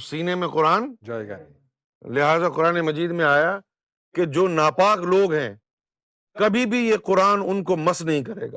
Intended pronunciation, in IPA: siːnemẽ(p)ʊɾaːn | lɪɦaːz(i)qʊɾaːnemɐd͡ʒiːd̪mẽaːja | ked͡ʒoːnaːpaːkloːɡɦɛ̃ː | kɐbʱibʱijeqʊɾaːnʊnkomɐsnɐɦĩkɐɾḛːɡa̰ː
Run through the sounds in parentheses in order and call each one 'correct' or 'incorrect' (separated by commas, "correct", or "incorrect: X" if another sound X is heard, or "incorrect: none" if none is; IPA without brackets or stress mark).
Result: incorrect: q, incorrect: a